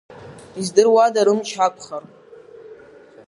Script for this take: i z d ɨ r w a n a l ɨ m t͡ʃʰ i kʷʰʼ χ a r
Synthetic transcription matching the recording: i z d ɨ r w a d a ɾ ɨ m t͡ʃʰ a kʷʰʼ χ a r